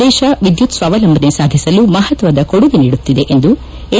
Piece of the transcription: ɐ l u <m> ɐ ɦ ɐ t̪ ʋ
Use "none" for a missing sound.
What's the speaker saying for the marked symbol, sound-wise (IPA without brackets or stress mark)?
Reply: m